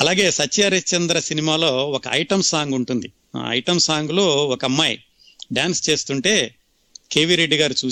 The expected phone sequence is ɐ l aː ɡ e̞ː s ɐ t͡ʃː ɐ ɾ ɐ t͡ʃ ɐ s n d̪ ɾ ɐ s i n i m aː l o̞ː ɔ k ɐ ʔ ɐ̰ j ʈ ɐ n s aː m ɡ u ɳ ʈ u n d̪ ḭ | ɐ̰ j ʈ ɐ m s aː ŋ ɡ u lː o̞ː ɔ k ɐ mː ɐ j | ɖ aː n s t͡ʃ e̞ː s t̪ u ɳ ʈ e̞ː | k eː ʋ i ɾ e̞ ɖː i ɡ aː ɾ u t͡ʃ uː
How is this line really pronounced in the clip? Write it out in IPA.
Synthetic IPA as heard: ɐ l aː ɡ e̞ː s ɐ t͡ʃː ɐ ɾ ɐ t͡ʃ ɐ n d̪ ɾ ɐ s i n i m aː l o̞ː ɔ k ɐ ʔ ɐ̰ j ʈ ɐ m s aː ŋ ɡ u ɳ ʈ u n d̪ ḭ | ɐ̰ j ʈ ɐ m s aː ŋ ɡ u l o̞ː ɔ k ɐ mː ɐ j | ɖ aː n s t͡ʃ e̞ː s t̪ u ɳ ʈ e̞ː | k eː ʋ i ɾ e̞ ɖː i ɡ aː ɾ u t͡ʃ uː